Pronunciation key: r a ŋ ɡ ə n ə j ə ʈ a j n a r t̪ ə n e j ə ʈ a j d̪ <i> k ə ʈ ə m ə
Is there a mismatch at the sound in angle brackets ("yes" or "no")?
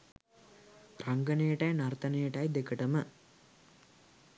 yes